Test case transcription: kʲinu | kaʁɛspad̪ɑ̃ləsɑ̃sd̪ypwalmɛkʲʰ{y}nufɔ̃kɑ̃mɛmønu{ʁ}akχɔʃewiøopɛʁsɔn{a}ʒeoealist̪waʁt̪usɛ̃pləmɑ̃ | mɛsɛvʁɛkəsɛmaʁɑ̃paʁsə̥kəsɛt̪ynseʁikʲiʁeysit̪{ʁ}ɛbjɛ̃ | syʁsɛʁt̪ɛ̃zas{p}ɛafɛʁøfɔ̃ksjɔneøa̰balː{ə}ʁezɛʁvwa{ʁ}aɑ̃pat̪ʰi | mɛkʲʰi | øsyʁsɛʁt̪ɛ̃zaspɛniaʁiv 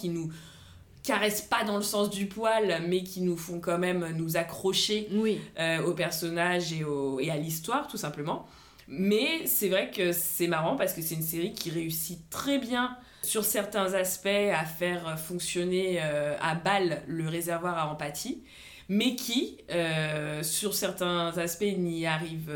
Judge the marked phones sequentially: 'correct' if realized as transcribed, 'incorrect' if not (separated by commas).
incorrect, incorrect, correct, incorrect, correct, correct, correct